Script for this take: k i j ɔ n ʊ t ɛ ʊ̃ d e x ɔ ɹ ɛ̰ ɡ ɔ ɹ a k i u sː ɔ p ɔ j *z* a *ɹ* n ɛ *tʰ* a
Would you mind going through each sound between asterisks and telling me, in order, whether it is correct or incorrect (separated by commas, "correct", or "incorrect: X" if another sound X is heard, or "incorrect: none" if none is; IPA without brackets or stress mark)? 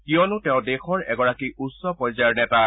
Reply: correct, correct, incorrect: t